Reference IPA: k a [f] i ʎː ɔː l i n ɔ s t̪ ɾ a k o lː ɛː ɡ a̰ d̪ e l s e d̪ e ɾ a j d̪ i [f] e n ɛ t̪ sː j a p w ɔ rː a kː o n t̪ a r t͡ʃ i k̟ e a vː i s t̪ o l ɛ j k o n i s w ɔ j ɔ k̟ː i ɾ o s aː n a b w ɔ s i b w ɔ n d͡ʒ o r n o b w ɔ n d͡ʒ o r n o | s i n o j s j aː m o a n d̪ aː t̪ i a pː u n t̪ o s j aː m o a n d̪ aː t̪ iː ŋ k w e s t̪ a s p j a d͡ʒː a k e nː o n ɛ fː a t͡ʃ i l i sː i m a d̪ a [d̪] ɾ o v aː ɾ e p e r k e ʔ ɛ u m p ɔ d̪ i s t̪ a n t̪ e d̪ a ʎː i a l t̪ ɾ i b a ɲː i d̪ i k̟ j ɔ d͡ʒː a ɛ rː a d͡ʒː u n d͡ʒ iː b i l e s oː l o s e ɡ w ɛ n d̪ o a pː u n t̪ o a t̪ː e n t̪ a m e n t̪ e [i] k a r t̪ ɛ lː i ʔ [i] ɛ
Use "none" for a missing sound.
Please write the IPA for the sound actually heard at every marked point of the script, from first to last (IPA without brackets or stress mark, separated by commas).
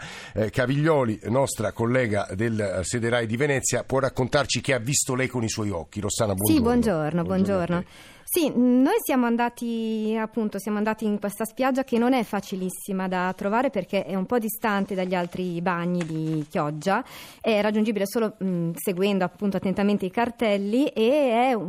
v, v, t̪, i, e